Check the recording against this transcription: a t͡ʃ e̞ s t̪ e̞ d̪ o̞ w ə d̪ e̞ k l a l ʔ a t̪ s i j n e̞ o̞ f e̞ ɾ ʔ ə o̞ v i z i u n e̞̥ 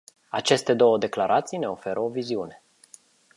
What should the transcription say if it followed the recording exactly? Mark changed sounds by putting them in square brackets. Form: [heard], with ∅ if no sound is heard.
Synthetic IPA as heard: a t͡ʃ e̞ s t̪ e̞ d̪ o̞ w ə d̪ e̞ k l a [ɾ] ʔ a t̪ s i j n e̞ o̞ f e̞ ɾ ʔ ə o̞ v i z i u n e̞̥